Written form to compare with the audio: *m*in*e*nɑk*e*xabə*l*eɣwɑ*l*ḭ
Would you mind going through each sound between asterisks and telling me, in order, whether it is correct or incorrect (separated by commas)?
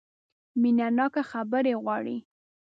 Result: correct, incorrect, incorrect, incorrect, incorrect